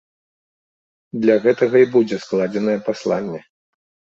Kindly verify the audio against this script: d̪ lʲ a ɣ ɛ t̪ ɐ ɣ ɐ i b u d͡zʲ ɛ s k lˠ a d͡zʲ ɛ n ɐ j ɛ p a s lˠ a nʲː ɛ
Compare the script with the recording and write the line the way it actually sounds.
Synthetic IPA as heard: d̪ lʲ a ɣ ɛ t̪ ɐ ɣ ɐ i b u d͡zʲ ɛ s k lˠ a d͡zʲ ɛ n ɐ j ɛ p a s lˠ a nʲː ɛ